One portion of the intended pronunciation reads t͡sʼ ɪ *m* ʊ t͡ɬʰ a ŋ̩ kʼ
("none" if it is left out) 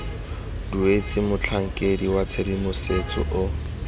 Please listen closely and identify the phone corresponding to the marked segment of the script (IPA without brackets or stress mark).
m